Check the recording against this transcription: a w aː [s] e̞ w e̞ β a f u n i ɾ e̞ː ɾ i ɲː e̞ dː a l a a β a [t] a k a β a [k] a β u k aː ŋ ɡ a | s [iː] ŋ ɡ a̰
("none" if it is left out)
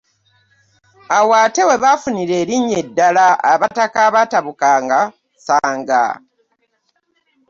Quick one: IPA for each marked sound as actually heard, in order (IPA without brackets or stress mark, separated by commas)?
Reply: t, t, t, aː